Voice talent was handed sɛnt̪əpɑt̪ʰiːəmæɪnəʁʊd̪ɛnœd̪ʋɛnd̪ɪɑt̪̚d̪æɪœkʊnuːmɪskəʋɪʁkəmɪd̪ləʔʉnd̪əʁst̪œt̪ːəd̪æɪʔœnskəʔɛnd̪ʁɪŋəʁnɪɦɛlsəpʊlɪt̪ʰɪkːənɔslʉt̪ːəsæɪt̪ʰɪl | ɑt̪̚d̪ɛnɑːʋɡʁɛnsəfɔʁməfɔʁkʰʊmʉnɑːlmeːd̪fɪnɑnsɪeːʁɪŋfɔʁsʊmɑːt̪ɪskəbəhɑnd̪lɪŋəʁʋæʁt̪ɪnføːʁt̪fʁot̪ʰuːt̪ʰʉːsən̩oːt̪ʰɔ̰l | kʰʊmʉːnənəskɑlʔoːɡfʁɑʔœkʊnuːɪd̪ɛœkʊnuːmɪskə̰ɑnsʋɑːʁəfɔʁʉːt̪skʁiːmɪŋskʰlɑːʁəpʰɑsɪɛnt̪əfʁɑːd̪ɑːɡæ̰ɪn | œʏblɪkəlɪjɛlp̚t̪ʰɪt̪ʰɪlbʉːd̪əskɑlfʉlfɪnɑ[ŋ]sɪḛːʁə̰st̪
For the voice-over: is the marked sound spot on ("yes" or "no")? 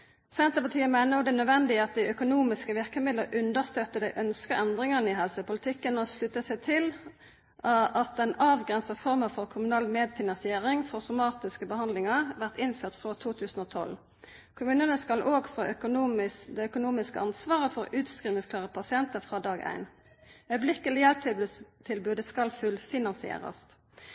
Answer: no